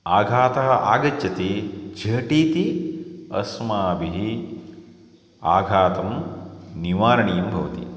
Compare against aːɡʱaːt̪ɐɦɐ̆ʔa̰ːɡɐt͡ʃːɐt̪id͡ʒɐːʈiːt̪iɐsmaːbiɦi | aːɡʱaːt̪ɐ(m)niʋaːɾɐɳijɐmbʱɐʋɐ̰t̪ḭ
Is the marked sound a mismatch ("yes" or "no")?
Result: no